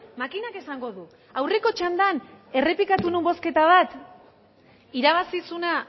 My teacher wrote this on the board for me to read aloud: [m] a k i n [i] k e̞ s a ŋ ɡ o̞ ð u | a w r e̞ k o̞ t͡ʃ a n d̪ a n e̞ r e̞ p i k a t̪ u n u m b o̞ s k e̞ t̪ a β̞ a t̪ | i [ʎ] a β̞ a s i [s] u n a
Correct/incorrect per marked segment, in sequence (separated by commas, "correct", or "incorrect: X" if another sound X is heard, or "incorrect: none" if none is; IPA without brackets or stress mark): correct, incorrect: a, incorrect: ɾ, correct